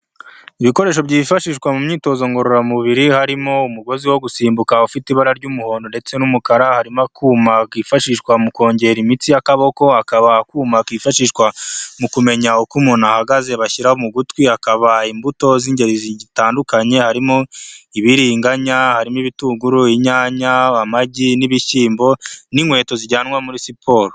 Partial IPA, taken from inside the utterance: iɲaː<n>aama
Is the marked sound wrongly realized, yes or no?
yes